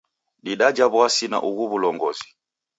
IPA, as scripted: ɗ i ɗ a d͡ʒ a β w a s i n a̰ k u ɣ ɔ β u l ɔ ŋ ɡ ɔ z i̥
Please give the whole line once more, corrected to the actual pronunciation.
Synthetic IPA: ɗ i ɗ a d͡ʒ a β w a s i n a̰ ʔ u ɣ u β u l ɔ ŋ ɡ ɔ z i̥